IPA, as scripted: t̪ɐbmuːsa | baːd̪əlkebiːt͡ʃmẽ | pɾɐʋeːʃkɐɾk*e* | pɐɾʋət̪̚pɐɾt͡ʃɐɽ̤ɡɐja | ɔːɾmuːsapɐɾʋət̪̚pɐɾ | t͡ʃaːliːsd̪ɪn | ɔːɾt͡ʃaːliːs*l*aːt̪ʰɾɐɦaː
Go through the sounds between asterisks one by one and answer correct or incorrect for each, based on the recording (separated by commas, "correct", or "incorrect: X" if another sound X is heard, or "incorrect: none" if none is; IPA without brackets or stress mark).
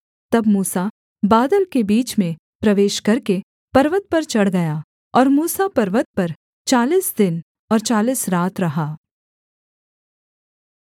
correct, incorrect: ɾ